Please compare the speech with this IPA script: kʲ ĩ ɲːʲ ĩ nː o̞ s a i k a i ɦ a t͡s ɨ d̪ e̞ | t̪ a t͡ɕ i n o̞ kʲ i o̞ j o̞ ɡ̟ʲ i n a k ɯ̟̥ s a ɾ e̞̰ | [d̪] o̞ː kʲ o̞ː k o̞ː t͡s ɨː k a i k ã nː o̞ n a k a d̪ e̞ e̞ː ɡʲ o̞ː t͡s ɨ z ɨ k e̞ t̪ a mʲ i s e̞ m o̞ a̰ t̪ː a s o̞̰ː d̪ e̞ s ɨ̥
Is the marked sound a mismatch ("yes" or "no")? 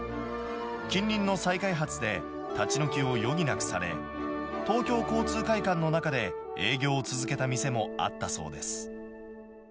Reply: yes